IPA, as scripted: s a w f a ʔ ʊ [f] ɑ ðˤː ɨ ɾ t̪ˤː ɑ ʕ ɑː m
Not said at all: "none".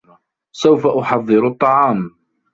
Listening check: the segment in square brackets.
ħ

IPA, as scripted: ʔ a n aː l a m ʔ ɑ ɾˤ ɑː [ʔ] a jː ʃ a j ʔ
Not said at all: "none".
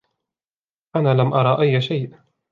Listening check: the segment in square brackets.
ʔ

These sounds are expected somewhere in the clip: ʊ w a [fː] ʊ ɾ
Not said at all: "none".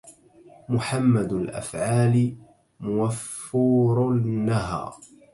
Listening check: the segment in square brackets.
fː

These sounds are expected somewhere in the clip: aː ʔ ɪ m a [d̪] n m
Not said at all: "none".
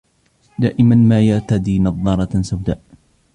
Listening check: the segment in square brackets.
none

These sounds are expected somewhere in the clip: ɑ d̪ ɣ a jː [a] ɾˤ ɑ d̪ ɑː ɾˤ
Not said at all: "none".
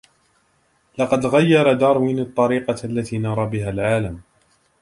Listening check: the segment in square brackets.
ɑ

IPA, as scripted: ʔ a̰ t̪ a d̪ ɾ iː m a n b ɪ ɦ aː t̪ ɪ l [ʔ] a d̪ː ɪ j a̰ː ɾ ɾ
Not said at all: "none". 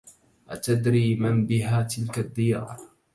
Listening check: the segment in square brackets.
k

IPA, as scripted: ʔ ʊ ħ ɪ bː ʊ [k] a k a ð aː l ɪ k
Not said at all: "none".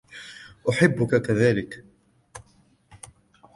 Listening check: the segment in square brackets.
k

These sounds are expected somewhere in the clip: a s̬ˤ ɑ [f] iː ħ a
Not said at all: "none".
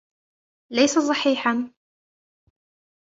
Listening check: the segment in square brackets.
ħ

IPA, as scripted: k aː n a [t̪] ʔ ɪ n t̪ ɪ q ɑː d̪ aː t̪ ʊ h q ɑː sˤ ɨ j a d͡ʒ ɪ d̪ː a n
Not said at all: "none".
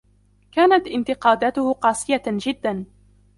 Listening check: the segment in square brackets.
t̪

